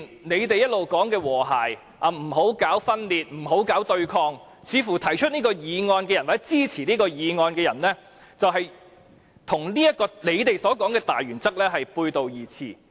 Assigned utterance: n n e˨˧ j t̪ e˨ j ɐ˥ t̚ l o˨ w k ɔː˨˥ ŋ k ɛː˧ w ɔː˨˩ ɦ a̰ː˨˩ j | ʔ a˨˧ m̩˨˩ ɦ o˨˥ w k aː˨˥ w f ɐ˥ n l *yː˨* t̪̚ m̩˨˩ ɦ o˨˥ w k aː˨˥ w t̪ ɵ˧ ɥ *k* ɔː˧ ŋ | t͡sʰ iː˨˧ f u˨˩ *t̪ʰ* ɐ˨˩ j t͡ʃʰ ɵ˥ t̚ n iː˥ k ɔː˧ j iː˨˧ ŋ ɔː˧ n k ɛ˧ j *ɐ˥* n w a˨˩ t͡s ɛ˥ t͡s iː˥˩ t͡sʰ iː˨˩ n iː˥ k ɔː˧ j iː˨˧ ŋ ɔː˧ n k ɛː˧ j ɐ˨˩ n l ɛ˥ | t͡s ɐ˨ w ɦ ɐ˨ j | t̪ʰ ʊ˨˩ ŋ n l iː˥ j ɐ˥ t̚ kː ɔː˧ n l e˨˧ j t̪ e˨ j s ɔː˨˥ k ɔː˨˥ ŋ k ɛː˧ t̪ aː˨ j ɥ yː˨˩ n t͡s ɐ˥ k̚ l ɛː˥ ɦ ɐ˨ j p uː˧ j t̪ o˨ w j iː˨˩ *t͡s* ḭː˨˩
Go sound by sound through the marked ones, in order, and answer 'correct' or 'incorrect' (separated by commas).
incorrect, incorrect, correct, incorrect, incorrect